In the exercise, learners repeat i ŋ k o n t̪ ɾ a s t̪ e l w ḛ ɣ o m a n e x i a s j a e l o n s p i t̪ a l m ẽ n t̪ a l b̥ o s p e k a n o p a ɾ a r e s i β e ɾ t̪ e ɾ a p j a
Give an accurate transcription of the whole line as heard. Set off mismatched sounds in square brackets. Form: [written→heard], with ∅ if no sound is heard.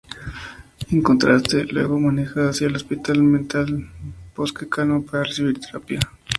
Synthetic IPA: [i→e] ŋ k o n t̪ ɾ a s t̪ e l w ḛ ɣ o m a n e x [i→a] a s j a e l o [n→∅] s p i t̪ a l m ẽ n t̪ a l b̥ o s [p→k] e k a n o p a ɾ a r e s i β [e→i] ɾ t̪ e ɾ a p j a